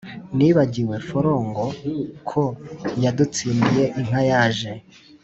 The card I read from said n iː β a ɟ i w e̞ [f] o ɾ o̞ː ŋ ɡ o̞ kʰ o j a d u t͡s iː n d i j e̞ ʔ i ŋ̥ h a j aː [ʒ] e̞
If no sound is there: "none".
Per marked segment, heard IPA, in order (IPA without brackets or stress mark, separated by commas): f, ʒ